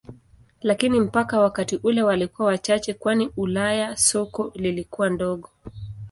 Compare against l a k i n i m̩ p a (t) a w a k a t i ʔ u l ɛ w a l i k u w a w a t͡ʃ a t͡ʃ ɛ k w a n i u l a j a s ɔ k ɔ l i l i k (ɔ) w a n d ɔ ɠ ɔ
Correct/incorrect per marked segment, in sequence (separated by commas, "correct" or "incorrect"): incorrect, incorrect